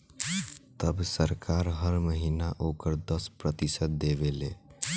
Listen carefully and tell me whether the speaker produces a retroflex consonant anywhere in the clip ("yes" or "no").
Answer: no